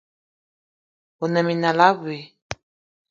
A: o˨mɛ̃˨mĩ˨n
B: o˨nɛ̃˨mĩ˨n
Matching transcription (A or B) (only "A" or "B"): B